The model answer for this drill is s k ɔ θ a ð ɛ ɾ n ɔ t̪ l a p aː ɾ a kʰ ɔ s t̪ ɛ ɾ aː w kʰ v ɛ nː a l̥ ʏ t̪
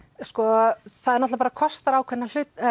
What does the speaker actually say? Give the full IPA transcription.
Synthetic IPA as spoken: s k ɔ θ a ð ɛ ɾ n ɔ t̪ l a p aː ɾ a kʰ ɔ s t̪ a ɾ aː w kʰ v ɛ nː a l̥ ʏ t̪